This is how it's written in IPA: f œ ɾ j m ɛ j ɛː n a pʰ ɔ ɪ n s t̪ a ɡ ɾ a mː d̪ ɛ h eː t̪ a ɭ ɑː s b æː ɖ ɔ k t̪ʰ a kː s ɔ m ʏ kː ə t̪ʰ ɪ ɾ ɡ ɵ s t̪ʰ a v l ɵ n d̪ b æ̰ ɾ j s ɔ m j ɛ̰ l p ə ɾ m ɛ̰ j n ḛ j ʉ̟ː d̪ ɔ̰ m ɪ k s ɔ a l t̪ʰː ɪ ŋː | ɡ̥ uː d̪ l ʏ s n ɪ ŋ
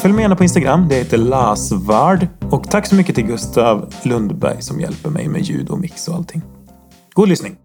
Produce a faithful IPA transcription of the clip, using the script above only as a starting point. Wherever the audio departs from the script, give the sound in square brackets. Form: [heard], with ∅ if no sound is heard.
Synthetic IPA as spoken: f œ [l] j m ɛ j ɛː n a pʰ ɔ ɪ n s t̪ a ɡ ɾ a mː d̪ ɛ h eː t̪ [ə] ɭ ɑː s [v] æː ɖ ɔ k t̪ʰ a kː s ɔ m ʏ kː ə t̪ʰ ɪ [l] ɡ ɵ s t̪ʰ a v l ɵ n d̪ b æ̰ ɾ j s ɔ m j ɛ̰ l p ə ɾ m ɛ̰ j [m] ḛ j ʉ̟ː d̪ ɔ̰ m ɪ k s ɔ a l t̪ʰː ɪ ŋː | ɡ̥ uː d̪ l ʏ s n ɪ ŋ